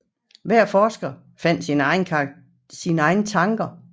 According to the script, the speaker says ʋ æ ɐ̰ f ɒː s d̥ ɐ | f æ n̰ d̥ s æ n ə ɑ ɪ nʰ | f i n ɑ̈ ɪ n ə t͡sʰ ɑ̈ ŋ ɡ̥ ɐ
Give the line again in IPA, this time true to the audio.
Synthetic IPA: ʋ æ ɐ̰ f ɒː s ɡ̥ ɐ | f æ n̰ d̥ s i n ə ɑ ɪ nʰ | s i n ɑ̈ ɪ n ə t͡sʰ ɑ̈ ŋ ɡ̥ ɐ